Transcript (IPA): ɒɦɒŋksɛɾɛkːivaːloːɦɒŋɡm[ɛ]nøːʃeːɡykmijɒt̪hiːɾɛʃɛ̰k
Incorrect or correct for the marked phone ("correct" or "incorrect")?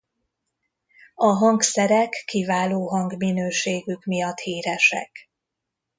incorrect